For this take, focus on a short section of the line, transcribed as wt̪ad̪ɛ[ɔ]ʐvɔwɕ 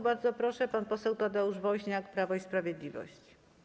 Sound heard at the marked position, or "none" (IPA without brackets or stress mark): u